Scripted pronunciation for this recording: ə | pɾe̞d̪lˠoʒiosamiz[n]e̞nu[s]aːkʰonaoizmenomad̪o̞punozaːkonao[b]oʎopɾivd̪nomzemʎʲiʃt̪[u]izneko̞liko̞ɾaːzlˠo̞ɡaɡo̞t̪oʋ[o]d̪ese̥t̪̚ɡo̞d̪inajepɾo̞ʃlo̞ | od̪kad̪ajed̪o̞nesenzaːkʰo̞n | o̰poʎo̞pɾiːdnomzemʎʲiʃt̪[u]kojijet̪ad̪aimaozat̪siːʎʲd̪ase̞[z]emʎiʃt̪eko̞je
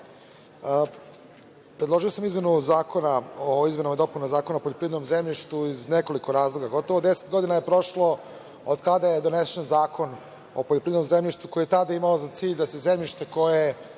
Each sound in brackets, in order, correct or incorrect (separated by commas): incorrect, incorrect, incorrect, correct, correct, correct, correct